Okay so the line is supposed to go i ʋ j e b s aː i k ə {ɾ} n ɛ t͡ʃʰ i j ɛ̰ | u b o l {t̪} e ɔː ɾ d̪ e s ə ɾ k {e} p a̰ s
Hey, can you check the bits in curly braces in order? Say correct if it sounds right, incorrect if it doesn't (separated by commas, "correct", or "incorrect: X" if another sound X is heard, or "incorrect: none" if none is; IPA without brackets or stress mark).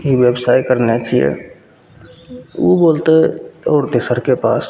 correct, correct, correct